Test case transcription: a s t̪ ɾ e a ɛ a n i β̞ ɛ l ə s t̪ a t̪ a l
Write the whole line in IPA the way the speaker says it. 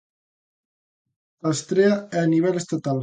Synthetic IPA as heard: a s t̪ ɾ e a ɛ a n i β̞ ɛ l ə s t̪ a t̪ a l